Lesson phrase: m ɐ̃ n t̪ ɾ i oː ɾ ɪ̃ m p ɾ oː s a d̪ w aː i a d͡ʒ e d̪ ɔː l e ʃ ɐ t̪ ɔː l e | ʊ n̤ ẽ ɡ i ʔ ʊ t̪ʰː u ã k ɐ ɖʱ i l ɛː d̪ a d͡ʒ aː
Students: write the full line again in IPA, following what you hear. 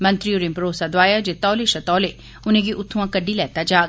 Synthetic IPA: m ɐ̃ n t̪ ɾ i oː ɾ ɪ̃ m p ɾ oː s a d̪ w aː j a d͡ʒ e t̪ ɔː l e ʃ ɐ t̪ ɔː l e | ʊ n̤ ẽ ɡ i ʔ ʊ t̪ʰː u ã k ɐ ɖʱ i l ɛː t̪ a d͡ʒ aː